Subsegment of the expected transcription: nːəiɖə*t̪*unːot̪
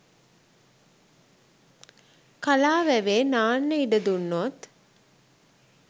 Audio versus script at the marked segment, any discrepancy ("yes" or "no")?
yes